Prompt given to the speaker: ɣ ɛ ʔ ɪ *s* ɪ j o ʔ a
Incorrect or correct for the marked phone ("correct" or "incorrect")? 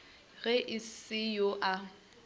correct